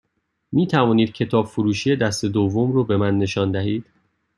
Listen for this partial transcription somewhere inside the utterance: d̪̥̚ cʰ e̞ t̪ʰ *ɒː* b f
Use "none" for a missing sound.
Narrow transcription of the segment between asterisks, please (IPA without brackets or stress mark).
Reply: ɒː